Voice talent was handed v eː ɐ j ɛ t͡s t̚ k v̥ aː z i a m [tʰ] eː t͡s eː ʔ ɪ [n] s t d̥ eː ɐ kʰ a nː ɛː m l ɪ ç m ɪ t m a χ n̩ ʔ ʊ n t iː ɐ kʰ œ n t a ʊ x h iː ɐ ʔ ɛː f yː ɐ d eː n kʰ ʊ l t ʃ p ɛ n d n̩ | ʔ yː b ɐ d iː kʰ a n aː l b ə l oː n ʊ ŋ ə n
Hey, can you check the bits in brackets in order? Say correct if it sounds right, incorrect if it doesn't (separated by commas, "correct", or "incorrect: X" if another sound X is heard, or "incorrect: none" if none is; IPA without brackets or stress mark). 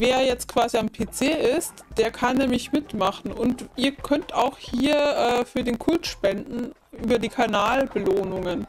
incorrect: pʰ, incorrect: none